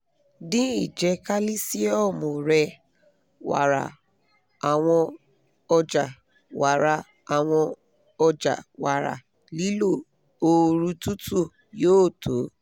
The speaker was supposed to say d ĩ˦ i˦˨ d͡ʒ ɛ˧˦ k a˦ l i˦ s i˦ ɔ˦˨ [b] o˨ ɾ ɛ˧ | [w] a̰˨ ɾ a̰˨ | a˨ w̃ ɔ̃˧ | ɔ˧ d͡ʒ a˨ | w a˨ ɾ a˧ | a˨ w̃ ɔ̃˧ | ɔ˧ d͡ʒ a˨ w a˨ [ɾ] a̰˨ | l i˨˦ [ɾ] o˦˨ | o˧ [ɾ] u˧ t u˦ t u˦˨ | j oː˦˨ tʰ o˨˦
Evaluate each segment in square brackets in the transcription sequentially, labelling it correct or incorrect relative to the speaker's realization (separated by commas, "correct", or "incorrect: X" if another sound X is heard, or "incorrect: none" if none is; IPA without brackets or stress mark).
incorrect: m, correct, correct, incorrect: l, correct